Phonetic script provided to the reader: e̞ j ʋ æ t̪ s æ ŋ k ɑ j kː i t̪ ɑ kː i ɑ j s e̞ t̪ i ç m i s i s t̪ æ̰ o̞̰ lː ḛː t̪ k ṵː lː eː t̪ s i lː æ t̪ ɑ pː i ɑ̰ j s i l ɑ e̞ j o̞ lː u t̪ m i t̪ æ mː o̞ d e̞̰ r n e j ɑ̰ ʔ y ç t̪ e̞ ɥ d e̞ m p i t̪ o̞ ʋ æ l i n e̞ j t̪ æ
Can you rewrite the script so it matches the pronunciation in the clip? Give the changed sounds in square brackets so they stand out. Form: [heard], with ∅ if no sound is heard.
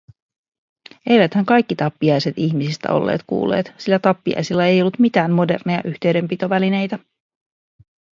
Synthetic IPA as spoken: e̞ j ʋ æ t̪ [h] æ ŋ k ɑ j kː i t̪ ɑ [pː] i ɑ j s e̞ t̪ i ç m i s i s t̪ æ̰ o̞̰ lː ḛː t̪ k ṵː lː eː t̪ s i lː æ t̪ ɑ pː i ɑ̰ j s i [lː] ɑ e̞ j o̞ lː u t̪ m i t̪ [æː] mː o̞ d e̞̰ r n e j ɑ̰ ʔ y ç t̪ e̞ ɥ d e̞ m p i t̪ o̞ ʋ æ l i n e̞ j t̪ æ